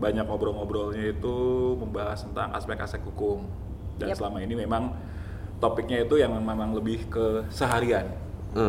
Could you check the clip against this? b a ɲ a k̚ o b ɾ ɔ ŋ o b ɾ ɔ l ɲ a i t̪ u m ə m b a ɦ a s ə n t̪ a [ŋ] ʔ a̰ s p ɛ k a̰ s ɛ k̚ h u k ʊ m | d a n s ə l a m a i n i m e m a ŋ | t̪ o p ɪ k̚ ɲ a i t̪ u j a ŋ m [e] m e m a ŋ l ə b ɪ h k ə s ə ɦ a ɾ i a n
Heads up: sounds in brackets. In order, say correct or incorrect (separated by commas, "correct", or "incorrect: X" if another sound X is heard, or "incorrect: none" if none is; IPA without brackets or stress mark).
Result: correct, correct